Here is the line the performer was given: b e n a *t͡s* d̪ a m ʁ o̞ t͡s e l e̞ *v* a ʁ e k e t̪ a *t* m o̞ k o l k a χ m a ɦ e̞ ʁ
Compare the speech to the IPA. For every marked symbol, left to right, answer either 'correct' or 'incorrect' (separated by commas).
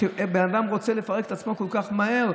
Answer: incorrect, incorrect, incorrect